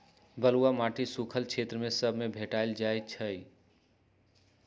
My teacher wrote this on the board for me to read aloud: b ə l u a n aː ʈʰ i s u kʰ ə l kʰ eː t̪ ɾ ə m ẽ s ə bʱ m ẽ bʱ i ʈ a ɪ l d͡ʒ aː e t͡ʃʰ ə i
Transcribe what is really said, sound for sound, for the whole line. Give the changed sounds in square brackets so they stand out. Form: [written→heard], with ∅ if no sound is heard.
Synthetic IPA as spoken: b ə l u a [n→m] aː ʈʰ i s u kʰ ə l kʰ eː t̪ ɾ ə m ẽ s ə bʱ m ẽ bʱ [i→e] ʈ a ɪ l d͡ʒ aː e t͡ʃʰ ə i